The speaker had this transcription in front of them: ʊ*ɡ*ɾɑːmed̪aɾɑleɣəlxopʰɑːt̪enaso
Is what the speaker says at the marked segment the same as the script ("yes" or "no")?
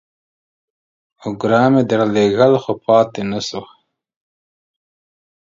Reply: yes